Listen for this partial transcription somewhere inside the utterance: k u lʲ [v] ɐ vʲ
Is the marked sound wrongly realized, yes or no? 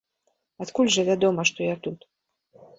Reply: yes